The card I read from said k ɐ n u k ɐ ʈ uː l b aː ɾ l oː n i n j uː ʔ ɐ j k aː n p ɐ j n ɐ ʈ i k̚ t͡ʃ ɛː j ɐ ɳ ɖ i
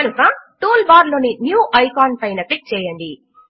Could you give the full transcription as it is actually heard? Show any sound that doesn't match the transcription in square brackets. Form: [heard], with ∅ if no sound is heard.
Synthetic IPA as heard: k ɐ n u k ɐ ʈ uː l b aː ɾ l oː n i n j uː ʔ ɐ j k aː n p ɐ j n ɐ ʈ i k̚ t͡ʃ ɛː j ɐ ɳ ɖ i